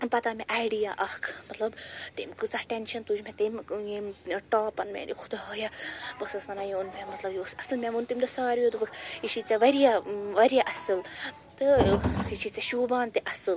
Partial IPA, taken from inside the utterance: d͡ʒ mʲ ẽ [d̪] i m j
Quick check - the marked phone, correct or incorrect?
incorrect